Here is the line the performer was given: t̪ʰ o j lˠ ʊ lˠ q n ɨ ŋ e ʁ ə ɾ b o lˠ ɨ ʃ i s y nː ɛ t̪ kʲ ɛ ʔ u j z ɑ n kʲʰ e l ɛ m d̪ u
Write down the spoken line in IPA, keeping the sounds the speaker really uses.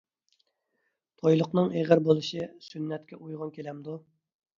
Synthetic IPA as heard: t̪ʰ o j lˠ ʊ q n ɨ ŋ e ʁ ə ɾ b o lˠ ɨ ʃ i s y nː ɛ t̪ kʲ ɛ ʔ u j ʁ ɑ n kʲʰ e l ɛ m d̪ u